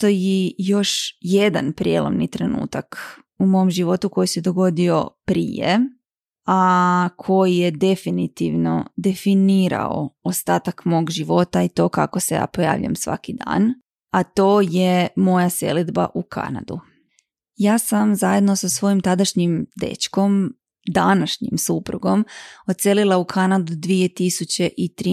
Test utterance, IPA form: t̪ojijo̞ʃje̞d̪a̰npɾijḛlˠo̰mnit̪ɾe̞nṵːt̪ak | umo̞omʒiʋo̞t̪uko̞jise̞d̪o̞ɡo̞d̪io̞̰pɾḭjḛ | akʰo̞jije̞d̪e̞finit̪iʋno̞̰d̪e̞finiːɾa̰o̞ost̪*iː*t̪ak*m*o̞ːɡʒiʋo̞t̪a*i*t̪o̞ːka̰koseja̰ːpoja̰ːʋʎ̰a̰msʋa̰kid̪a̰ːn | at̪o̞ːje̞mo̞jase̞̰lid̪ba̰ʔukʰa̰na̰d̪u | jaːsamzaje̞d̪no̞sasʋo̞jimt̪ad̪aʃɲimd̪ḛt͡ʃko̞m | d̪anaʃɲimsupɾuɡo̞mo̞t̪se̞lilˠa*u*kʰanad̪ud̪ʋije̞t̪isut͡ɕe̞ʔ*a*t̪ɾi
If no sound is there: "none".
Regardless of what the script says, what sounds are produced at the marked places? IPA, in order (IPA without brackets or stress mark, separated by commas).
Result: aː, m, i, u, i